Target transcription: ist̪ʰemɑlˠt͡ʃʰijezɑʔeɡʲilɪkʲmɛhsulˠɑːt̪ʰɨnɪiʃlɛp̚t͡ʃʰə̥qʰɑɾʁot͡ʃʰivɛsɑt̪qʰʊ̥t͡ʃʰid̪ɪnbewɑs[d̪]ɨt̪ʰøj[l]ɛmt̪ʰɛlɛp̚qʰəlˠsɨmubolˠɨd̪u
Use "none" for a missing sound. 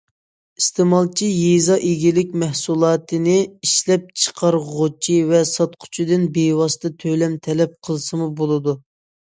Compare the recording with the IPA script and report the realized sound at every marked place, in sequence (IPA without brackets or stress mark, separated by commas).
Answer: t̪, l